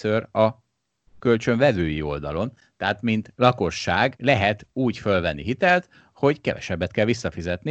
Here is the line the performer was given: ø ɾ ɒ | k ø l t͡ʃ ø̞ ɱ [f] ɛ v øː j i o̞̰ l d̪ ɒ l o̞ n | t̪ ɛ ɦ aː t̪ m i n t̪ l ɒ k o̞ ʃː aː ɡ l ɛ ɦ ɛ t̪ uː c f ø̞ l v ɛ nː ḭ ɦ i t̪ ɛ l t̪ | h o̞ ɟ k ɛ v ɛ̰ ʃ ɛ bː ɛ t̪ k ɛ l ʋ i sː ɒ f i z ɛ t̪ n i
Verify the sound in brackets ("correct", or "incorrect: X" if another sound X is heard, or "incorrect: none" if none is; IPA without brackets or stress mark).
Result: incorrect: v